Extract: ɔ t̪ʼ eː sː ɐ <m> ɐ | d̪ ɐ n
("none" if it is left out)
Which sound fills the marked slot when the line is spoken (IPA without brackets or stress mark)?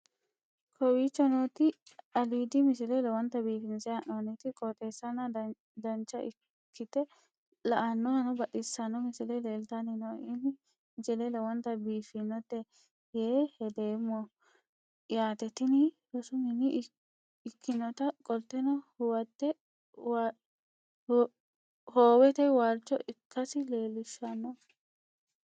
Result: n